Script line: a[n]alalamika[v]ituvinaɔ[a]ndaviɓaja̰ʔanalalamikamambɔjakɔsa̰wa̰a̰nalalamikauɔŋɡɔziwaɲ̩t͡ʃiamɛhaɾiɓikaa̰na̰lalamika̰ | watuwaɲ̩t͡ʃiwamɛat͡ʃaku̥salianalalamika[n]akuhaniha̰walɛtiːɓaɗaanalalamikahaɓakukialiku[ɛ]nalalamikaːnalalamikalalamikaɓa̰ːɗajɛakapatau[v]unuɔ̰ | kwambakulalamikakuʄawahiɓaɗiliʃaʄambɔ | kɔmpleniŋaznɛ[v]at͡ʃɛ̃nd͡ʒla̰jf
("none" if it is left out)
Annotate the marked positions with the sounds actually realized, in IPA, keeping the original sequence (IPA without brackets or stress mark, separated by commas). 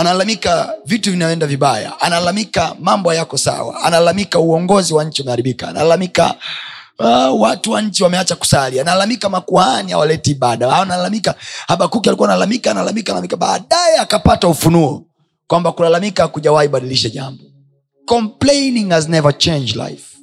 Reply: n, v, ɛ, m, a, f, v